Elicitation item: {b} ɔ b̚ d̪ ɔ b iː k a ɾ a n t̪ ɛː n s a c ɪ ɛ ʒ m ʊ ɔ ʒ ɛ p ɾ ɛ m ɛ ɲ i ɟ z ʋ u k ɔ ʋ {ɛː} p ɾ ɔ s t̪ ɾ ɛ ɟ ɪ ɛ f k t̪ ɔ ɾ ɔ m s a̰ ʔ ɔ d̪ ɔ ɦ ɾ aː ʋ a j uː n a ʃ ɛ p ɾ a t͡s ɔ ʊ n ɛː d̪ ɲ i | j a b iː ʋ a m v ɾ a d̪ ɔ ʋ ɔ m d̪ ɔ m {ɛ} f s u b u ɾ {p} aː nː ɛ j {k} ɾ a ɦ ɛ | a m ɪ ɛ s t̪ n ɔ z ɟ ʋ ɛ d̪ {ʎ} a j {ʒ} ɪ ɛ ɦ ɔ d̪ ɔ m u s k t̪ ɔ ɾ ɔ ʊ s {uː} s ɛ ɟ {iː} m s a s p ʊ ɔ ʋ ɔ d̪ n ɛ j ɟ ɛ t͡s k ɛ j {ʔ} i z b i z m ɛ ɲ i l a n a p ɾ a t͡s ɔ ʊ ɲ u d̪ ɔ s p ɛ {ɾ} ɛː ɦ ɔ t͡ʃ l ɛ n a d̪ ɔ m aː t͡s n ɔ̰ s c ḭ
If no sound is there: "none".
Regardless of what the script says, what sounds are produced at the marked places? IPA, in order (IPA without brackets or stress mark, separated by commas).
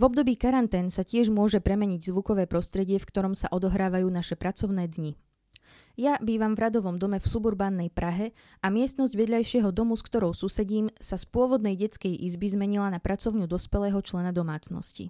v, ɛː, ɛ, b, p, ʎ, ʃ, u, iː, ʔ, l